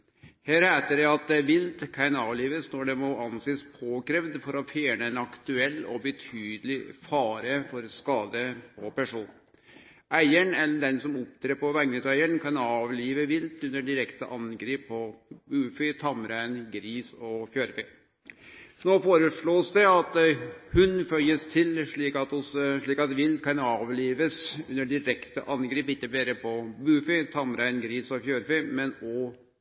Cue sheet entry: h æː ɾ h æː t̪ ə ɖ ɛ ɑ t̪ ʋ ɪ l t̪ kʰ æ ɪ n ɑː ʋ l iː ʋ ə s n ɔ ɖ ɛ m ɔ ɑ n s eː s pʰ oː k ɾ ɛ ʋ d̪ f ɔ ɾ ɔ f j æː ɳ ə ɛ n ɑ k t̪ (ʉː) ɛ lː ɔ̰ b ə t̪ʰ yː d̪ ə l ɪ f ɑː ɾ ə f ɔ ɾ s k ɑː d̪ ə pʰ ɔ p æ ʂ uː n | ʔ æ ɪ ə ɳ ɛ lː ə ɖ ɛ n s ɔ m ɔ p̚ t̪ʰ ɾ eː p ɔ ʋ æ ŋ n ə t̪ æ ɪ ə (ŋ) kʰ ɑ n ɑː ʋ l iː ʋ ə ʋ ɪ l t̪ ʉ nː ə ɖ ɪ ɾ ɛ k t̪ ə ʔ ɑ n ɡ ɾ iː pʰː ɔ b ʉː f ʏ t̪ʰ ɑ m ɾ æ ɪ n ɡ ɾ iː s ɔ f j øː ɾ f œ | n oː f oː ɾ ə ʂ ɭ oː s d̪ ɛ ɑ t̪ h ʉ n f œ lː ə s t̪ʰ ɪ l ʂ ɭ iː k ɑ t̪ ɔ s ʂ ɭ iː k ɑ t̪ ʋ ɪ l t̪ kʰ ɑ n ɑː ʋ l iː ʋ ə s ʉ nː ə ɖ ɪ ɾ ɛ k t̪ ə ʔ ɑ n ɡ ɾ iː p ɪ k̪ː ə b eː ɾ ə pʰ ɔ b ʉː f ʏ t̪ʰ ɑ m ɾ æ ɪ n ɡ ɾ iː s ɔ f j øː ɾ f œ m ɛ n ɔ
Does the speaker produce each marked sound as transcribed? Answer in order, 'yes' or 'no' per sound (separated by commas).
no, no